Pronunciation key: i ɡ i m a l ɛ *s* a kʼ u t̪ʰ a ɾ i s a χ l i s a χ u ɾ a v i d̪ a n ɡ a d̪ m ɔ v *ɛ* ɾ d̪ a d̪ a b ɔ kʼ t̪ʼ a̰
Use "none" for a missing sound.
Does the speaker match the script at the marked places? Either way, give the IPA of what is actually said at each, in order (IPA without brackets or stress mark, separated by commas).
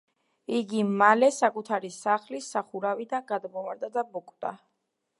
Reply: s, a